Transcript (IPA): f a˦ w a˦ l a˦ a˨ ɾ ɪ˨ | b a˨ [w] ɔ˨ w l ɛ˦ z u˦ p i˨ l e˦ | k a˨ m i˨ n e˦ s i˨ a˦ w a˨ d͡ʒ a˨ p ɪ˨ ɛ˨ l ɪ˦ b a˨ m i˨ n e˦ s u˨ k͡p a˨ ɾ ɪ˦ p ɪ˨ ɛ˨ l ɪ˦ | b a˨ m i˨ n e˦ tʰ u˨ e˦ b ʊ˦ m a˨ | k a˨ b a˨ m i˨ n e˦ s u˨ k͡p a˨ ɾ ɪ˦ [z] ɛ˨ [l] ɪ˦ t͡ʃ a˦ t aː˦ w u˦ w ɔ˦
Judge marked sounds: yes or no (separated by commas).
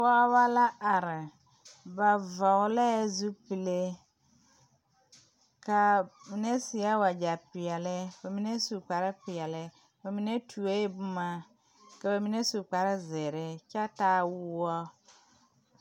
no, yes, no